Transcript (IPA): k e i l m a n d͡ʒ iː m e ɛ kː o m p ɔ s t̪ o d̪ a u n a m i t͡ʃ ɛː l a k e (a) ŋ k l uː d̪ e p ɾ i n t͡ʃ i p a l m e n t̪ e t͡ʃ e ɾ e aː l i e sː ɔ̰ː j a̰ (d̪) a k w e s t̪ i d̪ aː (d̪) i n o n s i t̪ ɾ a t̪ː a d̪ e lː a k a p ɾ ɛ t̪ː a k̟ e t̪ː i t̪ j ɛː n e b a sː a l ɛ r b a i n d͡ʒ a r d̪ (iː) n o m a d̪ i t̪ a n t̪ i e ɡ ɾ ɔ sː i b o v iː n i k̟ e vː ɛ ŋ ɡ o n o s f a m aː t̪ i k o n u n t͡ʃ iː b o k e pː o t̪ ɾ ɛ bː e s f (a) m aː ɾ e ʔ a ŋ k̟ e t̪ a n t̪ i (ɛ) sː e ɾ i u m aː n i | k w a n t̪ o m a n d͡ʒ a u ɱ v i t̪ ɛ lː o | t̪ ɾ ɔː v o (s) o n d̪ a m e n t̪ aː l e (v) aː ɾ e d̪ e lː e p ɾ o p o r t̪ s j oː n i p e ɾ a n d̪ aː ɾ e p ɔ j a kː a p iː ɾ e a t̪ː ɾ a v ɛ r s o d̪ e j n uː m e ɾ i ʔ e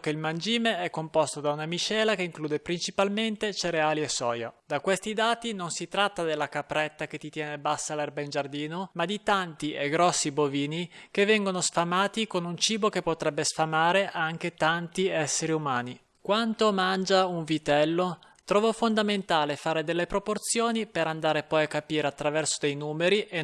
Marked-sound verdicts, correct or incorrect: incorrect: i, correct, incorrect: t̪, correct, correct, correct, incorrect: f, incorrect: f

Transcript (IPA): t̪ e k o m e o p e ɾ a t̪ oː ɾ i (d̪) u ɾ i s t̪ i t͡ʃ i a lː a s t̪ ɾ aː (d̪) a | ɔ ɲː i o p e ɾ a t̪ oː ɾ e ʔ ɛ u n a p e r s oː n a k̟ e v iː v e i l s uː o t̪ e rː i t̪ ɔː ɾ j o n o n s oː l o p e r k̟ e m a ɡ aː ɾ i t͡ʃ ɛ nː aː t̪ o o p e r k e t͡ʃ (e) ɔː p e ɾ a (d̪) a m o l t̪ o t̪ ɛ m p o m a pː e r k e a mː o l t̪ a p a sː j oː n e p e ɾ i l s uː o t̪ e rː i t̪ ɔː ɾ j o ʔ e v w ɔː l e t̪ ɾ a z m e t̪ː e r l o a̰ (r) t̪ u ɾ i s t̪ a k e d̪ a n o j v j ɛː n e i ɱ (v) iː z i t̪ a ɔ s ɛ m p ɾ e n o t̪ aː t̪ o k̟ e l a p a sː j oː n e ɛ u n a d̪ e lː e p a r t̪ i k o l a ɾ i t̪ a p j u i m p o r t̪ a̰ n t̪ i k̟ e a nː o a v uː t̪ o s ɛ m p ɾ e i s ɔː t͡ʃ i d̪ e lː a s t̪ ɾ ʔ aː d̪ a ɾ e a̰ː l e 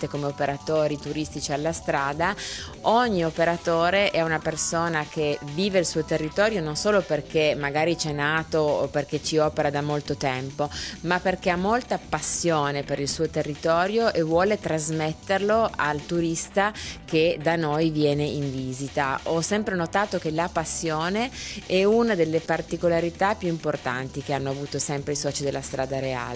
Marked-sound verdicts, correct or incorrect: incorrect: t̪, correct, incorrect: i, correct, incorrect: l, correct

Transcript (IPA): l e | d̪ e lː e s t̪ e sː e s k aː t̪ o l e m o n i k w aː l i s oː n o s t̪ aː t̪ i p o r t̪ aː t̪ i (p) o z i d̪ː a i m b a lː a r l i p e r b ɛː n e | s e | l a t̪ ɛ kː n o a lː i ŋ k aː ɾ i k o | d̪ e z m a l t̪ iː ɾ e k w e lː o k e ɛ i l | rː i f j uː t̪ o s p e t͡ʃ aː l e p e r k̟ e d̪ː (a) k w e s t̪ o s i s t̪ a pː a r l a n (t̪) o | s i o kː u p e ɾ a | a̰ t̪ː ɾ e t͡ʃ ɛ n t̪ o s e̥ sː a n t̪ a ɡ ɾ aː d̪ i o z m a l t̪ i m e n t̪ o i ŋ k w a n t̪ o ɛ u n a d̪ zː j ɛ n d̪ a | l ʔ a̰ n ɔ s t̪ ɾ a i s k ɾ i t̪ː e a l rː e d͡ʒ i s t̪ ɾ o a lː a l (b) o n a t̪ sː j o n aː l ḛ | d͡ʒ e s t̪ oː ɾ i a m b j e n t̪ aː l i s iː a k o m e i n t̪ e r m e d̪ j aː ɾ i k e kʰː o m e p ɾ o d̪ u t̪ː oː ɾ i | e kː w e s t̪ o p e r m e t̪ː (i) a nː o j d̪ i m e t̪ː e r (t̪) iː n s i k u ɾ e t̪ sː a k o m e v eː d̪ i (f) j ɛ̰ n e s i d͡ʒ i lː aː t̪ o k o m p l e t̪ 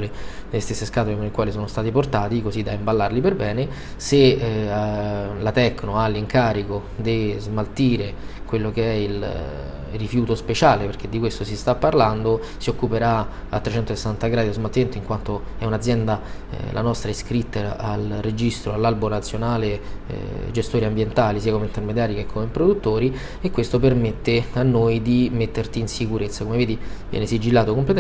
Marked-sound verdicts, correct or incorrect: incorrect: k, incorrect: i, incorrect: d̪, correct, incorrect: e, correct, incorrect: v

